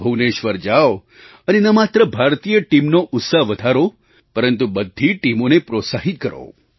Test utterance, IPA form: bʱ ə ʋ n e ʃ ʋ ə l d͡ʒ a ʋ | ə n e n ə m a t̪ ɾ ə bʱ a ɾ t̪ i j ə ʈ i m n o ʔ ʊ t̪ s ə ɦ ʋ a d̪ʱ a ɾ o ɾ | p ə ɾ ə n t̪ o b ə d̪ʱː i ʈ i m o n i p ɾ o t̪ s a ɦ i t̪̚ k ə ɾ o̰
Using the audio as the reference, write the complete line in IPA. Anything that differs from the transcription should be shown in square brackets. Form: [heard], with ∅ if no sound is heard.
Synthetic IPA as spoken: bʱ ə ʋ n e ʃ ʋ ə [ɾ] d͡ʒ a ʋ | ə n e n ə m a t̪ ɾ ə bʱ a ɾ t̪ i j ə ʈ i m n o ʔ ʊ t̪ s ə ɦ ʋ [ə] d̪ʱ a ɾ o [∅] | p ə ɾ ə n t̪ [u] b ə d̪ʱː i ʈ i m o n [e] p ɾ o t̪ s a ɦ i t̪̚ k ə ɾ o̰